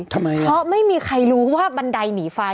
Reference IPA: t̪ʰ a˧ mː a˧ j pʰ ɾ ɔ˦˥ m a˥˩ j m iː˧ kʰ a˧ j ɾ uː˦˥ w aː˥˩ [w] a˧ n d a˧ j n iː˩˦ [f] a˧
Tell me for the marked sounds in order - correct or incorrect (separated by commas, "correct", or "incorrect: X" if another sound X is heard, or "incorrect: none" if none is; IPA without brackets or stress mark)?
incorrect: b, correct